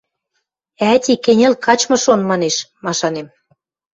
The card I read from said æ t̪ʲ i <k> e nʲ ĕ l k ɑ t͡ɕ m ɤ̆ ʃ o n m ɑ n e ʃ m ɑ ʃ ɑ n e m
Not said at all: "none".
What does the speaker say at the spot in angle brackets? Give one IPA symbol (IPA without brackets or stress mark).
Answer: k